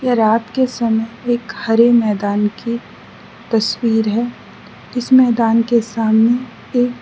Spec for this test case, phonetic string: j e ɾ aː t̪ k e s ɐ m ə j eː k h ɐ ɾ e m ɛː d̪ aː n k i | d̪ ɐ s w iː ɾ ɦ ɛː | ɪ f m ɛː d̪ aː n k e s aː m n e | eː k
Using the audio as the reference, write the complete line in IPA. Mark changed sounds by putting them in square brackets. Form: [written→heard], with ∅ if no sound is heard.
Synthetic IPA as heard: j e ɾ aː t̪ k e s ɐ m ə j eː k h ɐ ɾ e m ɛː d̪ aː n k i | [d̪→t̪] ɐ s w iː ɾ ɦ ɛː | ɪ [f→s] m ɛː d̪ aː n k e s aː m n e | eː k